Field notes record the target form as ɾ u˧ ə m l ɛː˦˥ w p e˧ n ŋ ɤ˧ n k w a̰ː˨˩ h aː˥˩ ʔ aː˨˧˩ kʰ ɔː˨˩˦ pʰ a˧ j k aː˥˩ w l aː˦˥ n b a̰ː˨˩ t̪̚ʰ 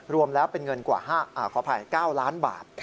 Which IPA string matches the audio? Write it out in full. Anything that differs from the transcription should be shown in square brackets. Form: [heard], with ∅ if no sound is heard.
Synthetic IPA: ɾ u˧ ə m l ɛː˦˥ w p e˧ n ŋ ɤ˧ n k w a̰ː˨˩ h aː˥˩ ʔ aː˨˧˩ kʰ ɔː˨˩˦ pʰ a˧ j k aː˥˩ w l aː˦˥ n b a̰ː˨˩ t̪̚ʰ